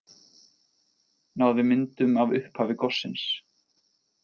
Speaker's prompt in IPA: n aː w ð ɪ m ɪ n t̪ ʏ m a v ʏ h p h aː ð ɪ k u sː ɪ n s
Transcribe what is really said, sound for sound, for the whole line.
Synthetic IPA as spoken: n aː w ð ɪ m ɪ n t̪ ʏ m a v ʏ h p h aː v ɪ k ɔ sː ɪ n s

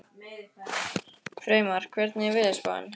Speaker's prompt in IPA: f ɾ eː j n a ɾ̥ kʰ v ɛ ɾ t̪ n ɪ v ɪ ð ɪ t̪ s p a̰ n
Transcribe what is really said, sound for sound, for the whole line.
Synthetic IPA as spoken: f ɾ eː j m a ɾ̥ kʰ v ɛ ɾ t̪ n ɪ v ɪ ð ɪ s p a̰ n

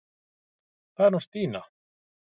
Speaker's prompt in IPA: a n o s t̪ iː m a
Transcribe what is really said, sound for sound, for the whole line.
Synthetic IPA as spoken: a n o s t̪ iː n a

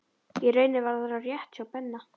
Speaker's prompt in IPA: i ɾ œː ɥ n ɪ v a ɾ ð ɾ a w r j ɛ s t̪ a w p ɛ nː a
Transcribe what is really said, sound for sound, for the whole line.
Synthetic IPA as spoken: i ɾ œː ɥ n ɪ v a ɾ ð ɾ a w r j ɛ h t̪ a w p ɛ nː a

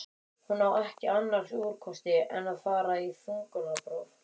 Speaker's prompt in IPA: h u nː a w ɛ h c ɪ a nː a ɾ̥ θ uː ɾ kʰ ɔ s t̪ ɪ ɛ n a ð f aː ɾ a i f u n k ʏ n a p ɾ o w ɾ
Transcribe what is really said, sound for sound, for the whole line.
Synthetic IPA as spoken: h u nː a w ɛ h c ɪ a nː a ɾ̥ s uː ɾ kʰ ɔ s t̪ ɪ ɛ n a ð f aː ɾ a i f u ŋ k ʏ n a p ɾ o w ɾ

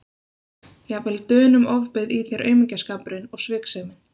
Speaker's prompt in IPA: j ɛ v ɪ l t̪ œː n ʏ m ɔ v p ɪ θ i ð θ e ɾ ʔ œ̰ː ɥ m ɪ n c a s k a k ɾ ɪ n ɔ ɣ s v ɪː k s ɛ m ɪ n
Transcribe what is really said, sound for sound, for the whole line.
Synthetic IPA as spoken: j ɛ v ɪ l t̪ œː n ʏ m ɔ v p ɪ ð i θ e ɾ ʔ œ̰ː ɥ m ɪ ɲ c a s k a p ɾ ɪ n ɔ ɣ s v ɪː k s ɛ m ɪ n

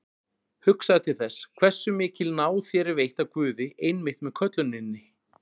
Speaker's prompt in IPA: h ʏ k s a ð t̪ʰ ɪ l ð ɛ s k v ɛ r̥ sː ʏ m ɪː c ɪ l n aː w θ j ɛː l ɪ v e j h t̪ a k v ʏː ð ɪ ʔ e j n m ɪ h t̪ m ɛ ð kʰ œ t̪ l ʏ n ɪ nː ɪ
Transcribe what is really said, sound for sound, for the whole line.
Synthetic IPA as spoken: h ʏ k s a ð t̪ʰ ɪ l θ ɛ s kʰ v ɛ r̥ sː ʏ m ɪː c ɪ l n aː w θ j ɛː ɾ ɪ v e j h t̪ a k v ʏː ð ɪ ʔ e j n m ɪ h t̪ m ɛ ð kʰ œ t̪ l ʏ n ɪ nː ɪ

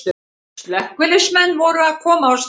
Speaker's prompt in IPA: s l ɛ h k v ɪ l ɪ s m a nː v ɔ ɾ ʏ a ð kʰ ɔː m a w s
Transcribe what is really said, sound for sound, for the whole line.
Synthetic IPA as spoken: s l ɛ h k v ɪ l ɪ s m ɛ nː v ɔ ɾ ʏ a ð kʰ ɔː m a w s

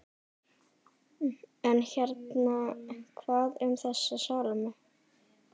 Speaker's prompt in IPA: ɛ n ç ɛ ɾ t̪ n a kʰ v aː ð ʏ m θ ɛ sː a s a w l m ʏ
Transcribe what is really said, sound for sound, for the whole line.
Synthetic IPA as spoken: ɛ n ç ɛ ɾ t̪ n a kʰ v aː ð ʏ m θ ɛ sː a s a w l m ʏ

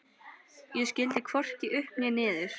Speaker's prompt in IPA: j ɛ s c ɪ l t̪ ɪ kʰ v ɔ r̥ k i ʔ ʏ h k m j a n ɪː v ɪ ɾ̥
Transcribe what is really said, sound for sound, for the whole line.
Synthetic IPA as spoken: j ɛ s c ɪ l t̪ ɪ kʰ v ɔ r̥ c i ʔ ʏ h p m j ɛ n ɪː ð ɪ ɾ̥

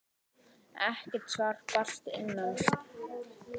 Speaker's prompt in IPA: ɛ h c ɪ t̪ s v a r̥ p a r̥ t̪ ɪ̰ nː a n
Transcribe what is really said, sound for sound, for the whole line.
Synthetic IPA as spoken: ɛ h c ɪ t̪ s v a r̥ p a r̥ t̪ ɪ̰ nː a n

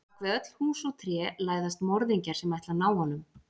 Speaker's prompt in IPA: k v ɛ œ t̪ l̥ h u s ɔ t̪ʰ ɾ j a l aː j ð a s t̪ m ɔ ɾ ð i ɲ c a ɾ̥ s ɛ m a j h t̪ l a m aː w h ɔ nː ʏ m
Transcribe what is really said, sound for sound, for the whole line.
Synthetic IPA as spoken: k v ɛ œ t̪ l̥ h uː s ɔ t̪ʰ ɾ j ɛ l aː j ð a s t̪ m ɔ ɾ ð i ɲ c a ɾ̥ s ɛ m a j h t̪ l a n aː w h ɔ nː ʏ m

